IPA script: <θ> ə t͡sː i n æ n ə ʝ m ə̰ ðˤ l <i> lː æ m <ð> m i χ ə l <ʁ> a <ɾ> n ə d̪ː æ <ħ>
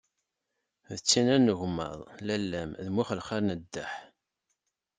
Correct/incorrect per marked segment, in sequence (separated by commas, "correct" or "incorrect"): incorrect, incorrect, correct, incorrect, correct, correct